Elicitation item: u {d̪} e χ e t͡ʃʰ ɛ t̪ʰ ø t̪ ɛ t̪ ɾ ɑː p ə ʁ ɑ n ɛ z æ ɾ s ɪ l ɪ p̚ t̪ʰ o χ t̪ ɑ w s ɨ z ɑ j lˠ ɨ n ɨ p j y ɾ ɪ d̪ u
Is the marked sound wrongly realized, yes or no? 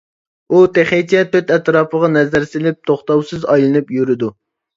yes